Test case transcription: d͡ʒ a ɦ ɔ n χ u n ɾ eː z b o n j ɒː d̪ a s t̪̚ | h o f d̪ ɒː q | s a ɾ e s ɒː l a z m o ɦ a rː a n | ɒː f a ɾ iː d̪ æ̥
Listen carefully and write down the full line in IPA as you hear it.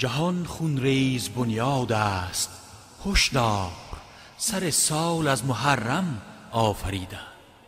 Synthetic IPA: d͡ʒ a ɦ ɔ n χ u n ɾ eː z b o n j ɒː d̪ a s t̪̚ | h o ʃ d̪ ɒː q | s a ɾ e s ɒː l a z m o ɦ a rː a m | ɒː f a ɾ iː d̪ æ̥